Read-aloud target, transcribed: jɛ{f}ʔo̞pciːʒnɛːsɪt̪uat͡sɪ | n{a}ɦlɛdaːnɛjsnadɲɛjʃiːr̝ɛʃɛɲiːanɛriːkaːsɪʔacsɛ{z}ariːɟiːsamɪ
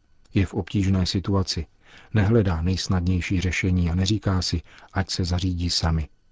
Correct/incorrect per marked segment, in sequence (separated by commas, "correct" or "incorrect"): correct, incorrect, correct